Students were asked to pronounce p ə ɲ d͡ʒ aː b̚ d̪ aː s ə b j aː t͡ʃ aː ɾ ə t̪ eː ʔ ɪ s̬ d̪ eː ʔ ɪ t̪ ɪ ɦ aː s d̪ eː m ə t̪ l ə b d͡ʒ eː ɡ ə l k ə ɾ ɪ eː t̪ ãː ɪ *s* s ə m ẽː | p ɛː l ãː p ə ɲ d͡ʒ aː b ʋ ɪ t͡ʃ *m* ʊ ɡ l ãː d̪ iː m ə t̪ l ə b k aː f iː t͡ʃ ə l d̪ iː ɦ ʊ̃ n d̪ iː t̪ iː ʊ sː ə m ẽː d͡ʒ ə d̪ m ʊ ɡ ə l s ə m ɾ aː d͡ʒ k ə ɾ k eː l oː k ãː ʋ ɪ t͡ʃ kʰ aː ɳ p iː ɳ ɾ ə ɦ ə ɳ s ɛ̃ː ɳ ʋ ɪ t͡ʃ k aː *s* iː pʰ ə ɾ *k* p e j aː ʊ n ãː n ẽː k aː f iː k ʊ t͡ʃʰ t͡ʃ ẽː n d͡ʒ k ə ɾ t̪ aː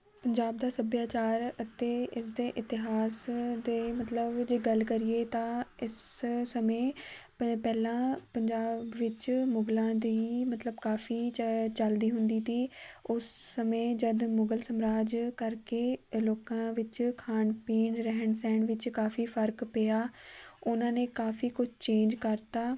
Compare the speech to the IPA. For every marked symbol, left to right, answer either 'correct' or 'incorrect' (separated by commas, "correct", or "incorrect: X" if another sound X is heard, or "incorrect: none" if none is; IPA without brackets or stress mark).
correct, correct, incorrect: f, correct